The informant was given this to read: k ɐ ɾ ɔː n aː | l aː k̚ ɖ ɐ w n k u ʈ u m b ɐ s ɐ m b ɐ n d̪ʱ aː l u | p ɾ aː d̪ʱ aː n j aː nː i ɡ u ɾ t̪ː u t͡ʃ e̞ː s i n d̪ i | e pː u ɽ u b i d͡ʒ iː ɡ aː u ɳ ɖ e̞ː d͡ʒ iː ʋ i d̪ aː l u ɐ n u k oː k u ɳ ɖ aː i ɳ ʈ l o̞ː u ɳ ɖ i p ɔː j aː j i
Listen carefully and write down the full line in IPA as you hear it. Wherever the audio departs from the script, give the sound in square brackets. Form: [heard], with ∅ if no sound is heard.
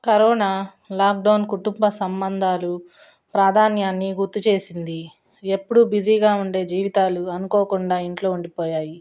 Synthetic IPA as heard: k ɐ ɾ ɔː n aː | l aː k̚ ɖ ɐ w n k u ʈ u m b ɐ s ɐ m b ɐ n d̪ʱ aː l u | p ɾ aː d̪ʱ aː n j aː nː i ɡ u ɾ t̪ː u t͡ʃ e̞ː s i n d̪ i | e pː u ɽ u b i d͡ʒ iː ɡ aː u ɳ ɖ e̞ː d͡ʒ iː ʋ i [t̪] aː l u ɐ n u k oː k u ɳ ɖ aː i ɳ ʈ l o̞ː u ɳ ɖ i p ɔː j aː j i